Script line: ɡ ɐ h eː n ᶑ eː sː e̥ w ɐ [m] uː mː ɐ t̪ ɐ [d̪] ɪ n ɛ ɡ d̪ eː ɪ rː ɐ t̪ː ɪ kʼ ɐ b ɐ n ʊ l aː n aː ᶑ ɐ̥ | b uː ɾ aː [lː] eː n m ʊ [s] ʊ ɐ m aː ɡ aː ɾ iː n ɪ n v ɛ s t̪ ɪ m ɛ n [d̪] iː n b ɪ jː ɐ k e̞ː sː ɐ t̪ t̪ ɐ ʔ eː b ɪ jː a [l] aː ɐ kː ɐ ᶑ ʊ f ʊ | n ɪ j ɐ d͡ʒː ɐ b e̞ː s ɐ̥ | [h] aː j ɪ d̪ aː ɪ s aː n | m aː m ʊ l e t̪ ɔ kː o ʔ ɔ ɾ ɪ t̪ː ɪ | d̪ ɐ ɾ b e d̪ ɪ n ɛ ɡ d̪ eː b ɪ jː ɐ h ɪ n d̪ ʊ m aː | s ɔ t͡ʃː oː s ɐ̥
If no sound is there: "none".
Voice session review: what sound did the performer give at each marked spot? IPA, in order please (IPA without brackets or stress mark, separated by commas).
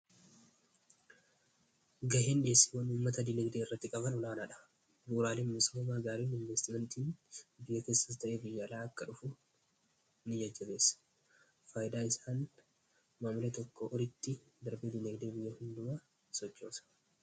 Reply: n, d̪, l, s, t̪, l, f